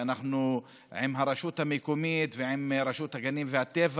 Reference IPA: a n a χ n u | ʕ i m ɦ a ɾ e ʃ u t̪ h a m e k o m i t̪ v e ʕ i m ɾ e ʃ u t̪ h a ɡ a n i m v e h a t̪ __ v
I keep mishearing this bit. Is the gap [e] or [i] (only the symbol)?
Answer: e